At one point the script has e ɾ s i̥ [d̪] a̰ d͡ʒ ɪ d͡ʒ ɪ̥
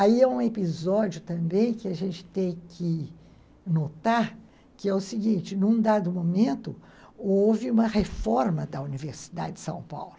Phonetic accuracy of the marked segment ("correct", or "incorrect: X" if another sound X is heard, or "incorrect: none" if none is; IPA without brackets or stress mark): correct